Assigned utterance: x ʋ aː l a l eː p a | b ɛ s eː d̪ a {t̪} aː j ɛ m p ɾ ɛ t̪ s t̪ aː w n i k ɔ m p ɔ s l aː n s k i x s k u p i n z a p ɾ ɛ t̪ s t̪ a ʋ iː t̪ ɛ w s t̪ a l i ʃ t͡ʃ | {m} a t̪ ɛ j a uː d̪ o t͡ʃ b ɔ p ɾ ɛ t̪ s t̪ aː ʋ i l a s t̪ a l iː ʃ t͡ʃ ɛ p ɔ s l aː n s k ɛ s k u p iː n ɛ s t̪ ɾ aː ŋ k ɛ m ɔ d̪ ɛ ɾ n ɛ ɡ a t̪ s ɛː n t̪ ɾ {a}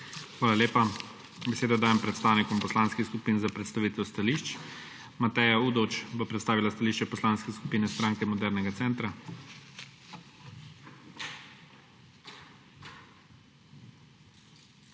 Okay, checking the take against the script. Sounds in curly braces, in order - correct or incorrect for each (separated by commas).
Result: incorrect, correct, correct